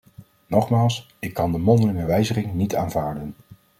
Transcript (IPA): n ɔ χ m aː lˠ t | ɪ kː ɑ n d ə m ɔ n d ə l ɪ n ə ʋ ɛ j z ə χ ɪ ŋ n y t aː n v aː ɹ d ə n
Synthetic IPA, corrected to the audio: n ɔ χ m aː lˠ s | ɪ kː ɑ n d ə m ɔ n d ə l ɪ ŋ ə ʋ ɛ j z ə χ ɪ ŋ n i t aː n v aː ɹ d ə n